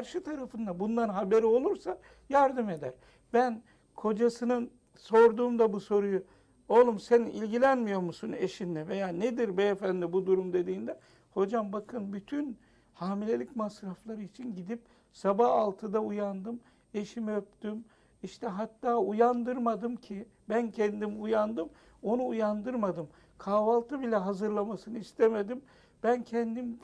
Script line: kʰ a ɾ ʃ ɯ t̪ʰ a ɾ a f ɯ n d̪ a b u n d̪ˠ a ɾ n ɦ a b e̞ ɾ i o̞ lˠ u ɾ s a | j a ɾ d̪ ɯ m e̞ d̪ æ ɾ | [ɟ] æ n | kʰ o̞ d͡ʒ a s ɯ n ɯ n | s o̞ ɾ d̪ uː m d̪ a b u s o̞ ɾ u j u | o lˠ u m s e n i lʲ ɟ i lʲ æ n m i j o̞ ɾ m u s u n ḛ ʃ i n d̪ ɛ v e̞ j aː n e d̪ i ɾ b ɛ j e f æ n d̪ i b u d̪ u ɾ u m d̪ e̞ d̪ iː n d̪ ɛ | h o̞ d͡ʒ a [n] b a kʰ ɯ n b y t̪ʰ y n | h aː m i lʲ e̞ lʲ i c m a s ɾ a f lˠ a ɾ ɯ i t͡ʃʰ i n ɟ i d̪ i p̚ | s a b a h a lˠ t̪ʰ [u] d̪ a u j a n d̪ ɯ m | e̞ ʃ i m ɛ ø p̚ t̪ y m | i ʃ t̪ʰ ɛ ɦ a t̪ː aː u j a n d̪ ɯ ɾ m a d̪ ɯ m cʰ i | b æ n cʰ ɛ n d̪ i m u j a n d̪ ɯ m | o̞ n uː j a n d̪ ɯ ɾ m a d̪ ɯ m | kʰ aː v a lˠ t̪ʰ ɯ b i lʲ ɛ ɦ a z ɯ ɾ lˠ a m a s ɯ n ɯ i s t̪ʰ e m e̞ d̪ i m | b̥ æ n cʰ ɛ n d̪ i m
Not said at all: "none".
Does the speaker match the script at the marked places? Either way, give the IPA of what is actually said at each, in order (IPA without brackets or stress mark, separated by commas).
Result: b, m, ɯ